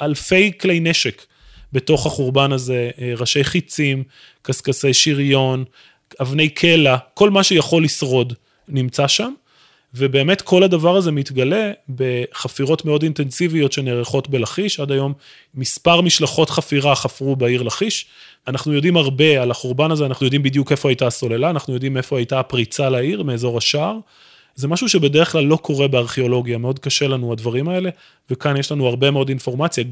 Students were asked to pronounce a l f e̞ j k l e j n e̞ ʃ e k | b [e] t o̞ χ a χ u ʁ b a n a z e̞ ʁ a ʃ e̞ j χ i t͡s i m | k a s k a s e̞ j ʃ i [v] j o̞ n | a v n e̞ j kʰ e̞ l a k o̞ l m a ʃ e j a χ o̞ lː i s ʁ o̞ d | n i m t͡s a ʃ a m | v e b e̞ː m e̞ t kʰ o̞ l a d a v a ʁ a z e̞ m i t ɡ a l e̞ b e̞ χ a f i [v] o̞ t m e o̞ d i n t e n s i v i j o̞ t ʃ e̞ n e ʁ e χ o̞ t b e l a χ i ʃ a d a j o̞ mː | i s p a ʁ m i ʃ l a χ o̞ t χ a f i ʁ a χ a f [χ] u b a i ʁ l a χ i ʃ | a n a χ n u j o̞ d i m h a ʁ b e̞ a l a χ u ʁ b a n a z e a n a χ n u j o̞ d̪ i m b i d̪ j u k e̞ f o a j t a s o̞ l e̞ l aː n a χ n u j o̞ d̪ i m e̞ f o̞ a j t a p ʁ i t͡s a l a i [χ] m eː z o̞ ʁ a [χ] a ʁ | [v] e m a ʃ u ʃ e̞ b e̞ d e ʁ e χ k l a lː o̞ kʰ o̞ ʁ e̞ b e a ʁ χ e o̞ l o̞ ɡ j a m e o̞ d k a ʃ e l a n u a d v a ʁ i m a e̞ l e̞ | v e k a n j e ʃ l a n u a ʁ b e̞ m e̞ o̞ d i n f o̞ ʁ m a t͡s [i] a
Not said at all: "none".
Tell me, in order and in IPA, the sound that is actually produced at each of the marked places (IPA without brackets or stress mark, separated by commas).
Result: e, ʁ, ʁ, ʁ, ʁ, ʃ, z, j